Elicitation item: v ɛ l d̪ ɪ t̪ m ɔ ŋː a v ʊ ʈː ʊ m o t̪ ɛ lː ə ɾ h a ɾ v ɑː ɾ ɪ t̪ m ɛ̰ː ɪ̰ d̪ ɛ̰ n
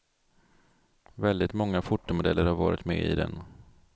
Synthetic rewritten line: v ɛ l d̪ ɪ t̪ m ɔ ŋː a f ʊ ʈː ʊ m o d̪ ɛ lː ə ɾ h a ɾ v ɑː ɾ ɪ t̪ m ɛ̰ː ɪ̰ d̪ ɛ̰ n